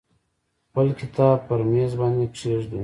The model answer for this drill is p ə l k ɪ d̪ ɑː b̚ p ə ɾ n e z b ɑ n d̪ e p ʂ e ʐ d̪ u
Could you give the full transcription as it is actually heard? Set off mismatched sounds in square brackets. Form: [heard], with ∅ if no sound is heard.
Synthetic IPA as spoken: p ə l k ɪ [t̪] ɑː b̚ p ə ɾ [m] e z b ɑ n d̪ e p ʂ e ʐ d̪ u